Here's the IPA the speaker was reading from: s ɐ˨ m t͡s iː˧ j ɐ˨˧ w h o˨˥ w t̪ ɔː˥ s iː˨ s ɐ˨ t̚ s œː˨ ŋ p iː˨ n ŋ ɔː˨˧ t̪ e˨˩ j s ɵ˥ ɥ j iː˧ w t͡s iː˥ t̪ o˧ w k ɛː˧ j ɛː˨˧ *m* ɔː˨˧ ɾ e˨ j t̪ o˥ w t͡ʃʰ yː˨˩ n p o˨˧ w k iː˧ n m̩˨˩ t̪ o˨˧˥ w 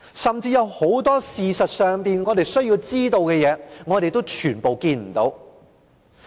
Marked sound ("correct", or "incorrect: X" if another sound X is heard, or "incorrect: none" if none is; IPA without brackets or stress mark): incorrect: ŋ